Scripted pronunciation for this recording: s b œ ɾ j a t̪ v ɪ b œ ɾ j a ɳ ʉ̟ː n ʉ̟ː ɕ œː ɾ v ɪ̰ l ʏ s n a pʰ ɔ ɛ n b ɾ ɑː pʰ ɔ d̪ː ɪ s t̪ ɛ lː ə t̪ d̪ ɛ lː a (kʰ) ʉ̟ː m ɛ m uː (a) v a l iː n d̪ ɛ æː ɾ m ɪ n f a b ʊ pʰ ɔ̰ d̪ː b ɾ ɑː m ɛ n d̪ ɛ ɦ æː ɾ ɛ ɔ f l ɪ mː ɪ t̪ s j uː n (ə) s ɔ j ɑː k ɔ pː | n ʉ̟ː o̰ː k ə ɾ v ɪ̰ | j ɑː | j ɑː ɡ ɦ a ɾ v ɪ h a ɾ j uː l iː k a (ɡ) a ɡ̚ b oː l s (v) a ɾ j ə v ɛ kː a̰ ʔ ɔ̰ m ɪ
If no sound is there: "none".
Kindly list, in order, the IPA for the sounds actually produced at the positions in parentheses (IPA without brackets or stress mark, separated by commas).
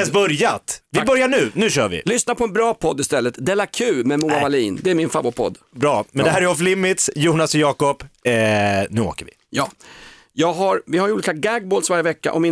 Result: kʰ, a, a, ɡ, v